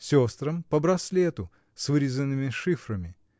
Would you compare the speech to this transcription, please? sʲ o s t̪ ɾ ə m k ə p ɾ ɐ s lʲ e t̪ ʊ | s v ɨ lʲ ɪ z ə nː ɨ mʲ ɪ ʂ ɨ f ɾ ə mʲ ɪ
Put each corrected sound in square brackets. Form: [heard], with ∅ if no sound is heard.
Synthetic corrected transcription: sʲ o s t̪ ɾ ə m [p] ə [b] ɾ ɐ s lʲ e t̪ ʊ | s v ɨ [ɾʲ] ɪ z ə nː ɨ mʲ ɪ ʂ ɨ f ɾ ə mʲ ɪ